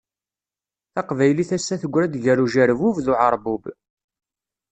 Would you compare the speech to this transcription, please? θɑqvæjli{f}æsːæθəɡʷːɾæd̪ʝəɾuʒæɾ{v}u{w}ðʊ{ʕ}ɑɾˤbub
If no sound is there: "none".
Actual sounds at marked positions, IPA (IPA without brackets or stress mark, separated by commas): θ, v, v, ʕ